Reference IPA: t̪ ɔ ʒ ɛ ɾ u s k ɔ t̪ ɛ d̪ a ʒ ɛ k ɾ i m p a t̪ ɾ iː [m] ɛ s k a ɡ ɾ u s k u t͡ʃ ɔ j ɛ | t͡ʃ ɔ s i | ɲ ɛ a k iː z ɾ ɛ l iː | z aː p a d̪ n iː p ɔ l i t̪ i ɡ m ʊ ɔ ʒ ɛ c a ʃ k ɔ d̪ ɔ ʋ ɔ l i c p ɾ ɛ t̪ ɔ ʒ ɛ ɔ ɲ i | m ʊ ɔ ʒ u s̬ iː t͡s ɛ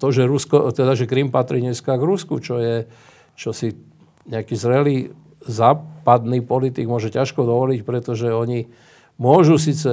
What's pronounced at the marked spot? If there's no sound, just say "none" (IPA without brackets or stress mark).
ɲ